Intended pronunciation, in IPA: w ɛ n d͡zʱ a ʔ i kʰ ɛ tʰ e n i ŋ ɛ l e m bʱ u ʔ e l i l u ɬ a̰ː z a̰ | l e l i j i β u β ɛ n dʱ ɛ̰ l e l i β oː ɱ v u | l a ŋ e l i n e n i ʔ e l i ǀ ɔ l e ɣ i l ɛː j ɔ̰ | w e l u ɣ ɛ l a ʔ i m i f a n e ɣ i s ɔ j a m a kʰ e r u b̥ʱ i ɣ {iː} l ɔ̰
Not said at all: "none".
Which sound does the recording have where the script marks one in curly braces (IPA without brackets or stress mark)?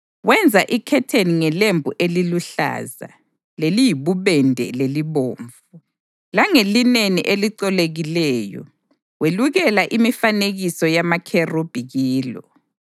iː